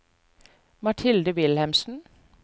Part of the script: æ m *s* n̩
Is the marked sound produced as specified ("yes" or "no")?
yes